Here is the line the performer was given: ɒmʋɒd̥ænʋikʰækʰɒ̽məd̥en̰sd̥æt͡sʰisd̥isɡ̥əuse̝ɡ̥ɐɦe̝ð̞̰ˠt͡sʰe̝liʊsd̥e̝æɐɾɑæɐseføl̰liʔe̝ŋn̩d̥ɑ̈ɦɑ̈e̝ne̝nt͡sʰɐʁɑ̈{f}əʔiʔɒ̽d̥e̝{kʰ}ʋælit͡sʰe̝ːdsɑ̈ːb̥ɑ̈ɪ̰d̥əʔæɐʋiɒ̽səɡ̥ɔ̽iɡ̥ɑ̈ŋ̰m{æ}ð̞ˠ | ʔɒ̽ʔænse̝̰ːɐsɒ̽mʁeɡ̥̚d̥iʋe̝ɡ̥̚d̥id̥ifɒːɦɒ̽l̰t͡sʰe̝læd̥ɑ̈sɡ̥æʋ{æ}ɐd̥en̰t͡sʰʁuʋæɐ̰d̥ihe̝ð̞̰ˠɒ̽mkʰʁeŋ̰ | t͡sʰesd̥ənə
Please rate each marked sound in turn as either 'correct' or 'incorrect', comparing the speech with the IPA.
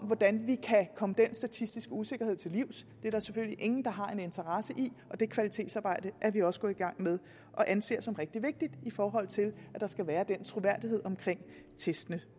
incorrect: s, correct, incorrect: e, incorrect: æː

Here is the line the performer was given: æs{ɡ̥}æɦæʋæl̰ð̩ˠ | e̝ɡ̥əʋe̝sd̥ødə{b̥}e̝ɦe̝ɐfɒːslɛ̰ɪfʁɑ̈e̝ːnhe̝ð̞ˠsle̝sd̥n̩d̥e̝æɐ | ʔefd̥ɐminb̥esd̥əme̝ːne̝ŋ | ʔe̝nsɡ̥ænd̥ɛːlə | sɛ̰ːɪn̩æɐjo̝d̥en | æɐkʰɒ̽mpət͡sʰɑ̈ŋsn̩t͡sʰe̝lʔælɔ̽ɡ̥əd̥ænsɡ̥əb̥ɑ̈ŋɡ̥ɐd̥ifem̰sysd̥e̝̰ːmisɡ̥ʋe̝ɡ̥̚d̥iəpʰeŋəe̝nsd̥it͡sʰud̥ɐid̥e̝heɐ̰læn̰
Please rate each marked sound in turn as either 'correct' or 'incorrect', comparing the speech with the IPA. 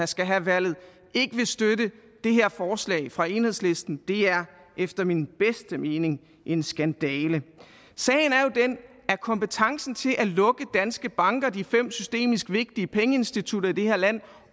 correct, incorrect: d̥

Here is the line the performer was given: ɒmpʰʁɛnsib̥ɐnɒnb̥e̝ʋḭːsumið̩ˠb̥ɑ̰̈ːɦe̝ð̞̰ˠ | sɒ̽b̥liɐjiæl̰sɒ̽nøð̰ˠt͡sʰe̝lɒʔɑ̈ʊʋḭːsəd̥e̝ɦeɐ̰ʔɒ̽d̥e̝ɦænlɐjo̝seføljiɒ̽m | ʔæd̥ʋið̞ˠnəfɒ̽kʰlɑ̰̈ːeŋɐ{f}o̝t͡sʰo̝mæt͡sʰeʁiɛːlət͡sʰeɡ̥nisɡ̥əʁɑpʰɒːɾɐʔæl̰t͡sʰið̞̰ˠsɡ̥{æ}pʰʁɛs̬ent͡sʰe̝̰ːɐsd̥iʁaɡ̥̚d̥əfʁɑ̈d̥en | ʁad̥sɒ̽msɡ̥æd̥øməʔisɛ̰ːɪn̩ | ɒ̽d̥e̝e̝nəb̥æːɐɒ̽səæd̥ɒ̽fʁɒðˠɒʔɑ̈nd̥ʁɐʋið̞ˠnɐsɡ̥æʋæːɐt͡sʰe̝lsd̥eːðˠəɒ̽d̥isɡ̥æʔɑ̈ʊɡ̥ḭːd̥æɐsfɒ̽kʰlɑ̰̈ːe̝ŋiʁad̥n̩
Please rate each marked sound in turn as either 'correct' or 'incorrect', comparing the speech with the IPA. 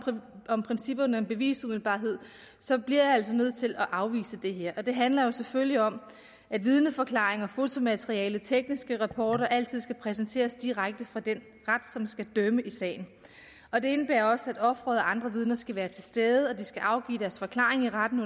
correct, correct

